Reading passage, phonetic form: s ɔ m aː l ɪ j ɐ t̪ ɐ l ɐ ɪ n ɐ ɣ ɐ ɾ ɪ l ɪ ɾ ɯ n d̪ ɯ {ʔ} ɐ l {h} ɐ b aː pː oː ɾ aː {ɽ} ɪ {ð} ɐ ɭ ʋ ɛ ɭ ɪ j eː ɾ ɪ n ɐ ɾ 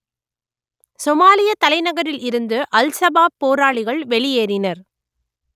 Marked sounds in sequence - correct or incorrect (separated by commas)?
correct, incorrect, incorrect, incorrect